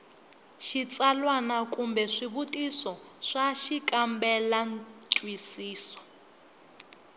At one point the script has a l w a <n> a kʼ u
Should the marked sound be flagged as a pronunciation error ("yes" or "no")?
no